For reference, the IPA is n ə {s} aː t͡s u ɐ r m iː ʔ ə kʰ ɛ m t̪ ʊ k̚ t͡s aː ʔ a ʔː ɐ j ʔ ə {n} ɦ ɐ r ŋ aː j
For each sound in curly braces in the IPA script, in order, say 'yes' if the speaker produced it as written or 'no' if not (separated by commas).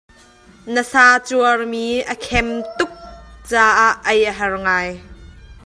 yes, no